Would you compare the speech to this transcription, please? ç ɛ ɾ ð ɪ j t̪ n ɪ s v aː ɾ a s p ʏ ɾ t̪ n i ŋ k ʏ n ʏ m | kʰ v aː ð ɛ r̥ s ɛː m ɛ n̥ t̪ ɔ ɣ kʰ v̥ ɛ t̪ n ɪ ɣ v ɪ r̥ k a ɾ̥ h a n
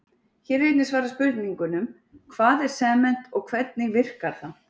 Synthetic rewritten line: ç ɛ ɾ v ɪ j t̪ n ɪ s v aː ɾ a s p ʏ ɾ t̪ n i ŋ k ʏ n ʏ m | kʰ v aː ð ɛ ɾ̥ s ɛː m ɛ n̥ t̪ ɔ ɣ kʰ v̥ ɛ t̪ n ɪ ɣ v ɪ r̥ k a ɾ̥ θ a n